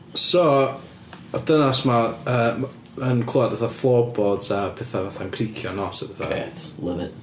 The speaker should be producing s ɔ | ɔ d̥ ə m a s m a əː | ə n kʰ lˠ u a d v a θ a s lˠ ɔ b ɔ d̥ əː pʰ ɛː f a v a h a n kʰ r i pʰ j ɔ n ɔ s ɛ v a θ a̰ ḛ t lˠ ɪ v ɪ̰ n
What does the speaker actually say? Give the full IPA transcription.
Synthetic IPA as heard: s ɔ | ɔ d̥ ə n a s m a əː | ə n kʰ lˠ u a d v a θ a f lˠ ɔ b ɔ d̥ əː pʰ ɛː θ a v a θ a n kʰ r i kʰ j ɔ n ɔ s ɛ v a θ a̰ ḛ t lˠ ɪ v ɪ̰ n